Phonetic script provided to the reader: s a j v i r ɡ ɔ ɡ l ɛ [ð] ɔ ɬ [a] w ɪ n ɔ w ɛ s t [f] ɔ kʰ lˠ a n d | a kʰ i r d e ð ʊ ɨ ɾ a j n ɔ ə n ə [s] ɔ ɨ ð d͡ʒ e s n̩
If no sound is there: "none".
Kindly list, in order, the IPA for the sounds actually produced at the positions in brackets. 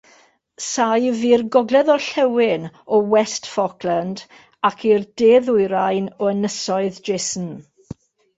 ð, ɛ, f, s

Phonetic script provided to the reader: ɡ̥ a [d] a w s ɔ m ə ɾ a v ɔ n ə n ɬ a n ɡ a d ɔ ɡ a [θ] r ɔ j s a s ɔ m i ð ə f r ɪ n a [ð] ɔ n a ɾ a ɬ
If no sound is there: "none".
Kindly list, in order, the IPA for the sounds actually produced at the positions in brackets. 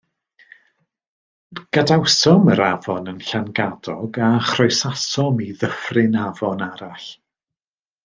d, χ, v

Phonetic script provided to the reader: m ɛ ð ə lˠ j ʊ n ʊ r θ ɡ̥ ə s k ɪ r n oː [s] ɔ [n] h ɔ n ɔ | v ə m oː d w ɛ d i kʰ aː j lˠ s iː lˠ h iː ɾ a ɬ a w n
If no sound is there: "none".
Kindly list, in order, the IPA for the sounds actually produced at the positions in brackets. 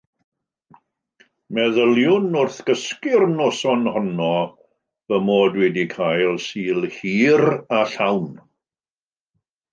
s, n

